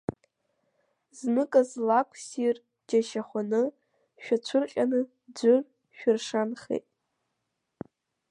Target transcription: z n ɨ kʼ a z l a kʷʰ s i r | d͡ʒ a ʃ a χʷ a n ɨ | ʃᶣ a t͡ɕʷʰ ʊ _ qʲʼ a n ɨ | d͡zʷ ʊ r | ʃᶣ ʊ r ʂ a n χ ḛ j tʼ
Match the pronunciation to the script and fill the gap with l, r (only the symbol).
r